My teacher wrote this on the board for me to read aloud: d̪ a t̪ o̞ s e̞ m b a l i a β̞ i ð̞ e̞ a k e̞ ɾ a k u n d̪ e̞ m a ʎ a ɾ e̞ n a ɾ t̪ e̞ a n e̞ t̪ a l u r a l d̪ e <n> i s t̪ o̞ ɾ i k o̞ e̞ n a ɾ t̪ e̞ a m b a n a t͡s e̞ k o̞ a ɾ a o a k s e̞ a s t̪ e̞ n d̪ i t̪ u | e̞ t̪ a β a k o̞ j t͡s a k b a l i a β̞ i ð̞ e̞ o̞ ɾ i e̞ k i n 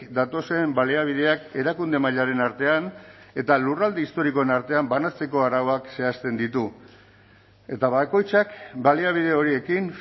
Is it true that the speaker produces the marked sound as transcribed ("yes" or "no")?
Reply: no